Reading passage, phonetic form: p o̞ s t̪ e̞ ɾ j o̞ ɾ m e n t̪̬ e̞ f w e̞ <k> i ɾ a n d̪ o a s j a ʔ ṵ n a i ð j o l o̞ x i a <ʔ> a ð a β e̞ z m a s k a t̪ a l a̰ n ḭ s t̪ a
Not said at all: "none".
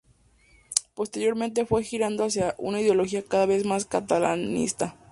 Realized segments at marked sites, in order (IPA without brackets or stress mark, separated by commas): x, k